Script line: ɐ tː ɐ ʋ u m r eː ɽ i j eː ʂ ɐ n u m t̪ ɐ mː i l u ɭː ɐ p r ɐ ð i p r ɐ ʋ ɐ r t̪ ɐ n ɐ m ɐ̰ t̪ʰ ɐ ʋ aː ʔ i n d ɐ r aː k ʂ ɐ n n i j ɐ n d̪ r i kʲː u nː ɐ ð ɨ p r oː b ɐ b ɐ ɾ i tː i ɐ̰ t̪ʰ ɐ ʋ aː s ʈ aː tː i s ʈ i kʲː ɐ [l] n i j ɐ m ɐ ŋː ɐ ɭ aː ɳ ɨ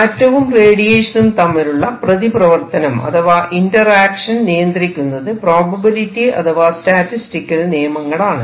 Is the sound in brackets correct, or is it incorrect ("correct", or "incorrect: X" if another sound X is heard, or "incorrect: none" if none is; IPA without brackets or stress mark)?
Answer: correct